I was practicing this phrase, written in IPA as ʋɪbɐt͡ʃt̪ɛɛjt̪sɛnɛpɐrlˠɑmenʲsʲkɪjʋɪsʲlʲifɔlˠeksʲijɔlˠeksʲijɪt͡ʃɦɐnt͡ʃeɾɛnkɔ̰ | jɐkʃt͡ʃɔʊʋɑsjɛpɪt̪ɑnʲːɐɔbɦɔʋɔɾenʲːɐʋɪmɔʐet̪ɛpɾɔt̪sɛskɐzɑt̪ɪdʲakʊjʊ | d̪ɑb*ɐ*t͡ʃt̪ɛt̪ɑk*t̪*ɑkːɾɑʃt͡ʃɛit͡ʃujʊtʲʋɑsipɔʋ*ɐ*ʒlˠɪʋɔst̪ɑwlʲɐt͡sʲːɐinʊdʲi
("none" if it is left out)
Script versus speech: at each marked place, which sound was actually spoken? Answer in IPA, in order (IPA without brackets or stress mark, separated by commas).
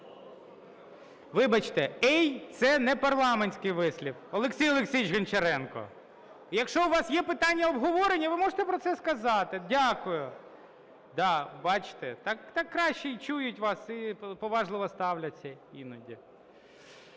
ɑ, t̪, ɑ